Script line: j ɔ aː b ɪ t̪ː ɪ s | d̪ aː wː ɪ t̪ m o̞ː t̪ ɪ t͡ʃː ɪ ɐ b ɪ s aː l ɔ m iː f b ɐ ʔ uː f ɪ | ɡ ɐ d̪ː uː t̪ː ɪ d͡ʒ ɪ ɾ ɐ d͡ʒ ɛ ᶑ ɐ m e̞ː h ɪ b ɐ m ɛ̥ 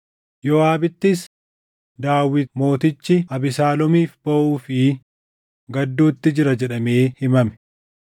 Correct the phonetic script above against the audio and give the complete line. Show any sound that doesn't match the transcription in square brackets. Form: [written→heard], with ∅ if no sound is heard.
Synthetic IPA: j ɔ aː b ɪ t̪ː ɪ s | d̪ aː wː ɪ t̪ m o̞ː t̪ ɪ t͡ʃː ɪ ɐ b ɪ s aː l ɔ m iː f b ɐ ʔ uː f ɪ | ɡ ɐ d̪ː uː t̪ː ɪ d͡ʒ ɪ ɾ ɐ d͡ʒ ɛ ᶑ ɐ m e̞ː h ɪ [b→m] ɐ m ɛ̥